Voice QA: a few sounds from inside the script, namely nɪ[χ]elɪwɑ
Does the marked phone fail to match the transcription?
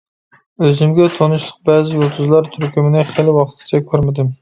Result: no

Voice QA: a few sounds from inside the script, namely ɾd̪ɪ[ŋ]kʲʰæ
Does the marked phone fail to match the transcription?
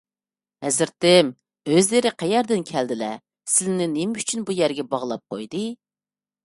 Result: yes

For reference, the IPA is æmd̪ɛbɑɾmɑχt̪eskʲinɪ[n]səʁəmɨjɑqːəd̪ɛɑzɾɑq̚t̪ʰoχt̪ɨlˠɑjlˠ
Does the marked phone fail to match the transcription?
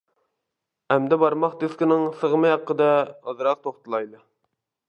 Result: yes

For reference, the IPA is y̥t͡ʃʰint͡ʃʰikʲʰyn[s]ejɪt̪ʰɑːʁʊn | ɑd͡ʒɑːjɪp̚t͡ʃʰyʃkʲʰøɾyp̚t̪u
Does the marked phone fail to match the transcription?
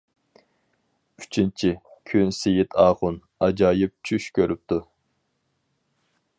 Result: no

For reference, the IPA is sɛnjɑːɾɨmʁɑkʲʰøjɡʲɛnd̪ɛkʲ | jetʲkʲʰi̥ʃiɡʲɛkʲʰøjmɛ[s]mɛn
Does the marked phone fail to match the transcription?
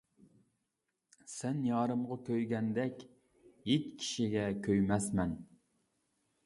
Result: no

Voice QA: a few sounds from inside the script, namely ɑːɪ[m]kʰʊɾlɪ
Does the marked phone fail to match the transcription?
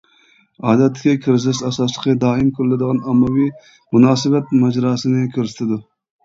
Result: no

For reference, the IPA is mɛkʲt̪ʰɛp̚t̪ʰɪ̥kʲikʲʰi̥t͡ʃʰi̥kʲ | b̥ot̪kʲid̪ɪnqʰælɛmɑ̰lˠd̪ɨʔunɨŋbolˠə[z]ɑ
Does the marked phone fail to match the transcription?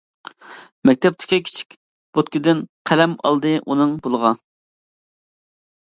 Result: yes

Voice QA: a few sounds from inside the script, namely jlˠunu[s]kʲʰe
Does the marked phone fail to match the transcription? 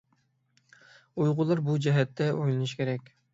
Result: yes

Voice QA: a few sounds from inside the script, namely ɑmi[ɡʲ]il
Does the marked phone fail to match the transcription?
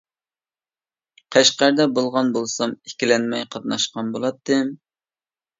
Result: yes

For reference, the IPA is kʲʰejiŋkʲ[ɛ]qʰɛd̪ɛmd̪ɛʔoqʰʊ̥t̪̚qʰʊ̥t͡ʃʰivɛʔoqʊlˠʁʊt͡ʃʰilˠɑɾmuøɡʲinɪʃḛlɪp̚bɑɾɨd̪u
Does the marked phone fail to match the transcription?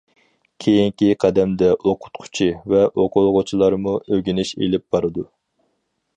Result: yes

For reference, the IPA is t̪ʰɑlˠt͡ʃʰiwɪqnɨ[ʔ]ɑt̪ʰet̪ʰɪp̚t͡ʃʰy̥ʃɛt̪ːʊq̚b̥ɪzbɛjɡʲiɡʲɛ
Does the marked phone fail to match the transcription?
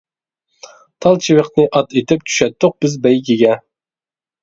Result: no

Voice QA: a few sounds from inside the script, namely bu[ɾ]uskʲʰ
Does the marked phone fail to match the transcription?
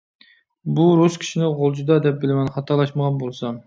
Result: no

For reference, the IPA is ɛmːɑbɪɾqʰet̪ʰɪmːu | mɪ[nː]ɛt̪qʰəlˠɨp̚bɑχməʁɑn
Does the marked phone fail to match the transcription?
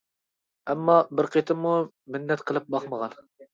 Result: no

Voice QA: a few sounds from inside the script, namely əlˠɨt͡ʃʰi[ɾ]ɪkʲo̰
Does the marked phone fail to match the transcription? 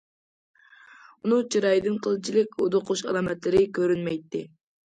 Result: yes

